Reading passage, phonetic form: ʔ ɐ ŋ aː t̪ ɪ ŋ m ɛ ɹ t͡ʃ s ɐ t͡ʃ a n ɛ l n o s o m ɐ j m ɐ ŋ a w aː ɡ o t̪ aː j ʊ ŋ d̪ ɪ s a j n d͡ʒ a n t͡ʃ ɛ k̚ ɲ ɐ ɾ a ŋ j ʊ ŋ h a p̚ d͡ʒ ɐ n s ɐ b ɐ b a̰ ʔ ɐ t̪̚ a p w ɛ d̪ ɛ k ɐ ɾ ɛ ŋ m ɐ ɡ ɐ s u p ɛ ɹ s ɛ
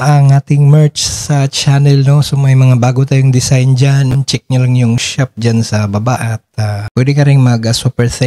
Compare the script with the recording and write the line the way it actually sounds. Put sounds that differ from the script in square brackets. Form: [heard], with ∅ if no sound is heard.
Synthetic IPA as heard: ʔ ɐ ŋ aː t̪ ɪ ŋ m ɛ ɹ t͡ʃ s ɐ t͡ʃ a n ɛ l n o s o m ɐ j m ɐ ŋ a [b] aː ɡ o t̪ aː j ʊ ŋ d̪ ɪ s a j n d͡ʒ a n t͡ʃ ɛ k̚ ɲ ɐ [l] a ŋ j ʊ ŋ [ʃ] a p̚ d͡ʒ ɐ n s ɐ b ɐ b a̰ ʔ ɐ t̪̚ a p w ɛ d̪ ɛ k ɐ ɾ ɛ ŋ m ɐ ɡ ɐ s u p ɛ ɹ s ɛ